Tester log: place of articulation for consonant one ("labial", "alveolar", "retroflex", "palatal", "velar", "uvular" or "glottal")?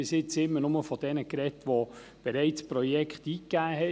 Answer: alveolar